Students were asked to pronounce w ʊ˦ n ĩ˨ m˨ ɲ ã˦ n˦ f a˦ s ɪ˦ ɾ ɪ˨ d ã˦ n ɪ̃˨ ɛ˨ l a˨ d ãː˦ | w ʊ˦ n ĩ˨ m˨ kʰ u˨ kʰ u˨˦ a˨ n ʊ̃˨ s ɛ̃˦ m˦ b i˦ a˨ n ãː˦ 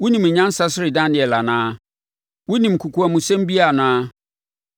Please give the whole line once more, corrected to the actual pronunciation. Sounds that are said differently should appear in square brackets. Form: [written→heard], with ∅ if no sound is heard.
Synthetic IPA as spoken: w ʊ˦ n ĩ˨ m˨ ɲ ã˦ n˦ [f→s] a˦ s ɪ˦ ɾ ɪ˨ d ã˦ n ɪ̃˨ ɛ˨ l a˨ [d→n] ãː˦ | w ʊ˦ n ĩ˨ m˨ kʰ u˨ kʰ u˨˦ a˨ [n→m] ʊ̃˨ s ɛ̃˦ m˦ b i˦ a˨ n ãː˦